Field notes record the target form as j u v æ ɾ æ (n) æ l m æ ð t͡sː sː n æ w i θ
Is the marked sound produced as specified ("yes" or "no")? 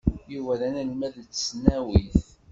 yes